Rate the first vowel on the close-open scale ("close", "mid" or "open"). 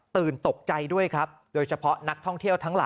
close